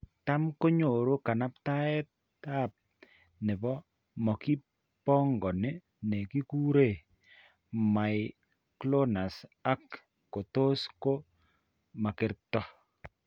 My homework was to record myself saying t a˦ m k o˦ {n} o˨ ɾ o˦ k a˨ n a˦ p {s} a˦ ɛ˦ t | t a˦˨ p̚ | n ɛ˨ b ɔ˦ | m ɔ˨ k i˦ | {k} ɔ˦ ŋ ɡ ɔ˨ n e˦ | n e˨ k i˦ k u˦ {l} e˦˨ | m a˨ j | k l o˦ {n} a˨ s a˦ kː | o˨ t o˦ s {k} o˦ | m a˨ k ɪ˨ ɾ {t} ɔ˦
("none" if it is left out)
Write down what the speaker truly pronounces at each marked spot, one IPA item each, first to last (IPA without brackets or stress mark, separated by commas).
ɲ, t, p, ɾ, n, k, t